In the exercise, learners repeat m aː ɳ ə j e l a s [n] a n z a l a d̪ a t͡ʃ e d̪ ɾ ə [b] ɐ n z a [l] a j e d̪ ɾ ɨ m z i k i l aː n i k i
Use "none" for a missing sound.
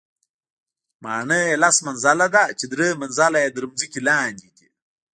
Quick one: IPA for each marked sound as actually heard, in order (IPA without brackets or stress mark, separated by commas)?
m, m, l